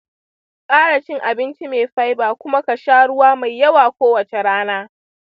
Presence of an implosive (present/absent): absent